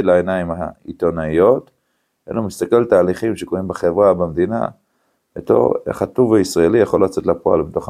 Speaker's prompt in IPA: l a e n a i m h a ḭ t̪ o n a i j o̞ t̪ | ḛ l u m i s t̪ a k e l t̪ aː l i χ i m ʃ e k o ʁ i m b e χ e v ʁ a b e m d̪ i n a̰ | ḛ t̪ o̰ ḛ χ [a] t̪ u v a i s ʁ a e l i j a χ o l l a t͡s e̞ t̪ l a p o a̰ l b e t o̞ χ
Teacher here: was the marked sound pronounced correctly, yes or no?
yes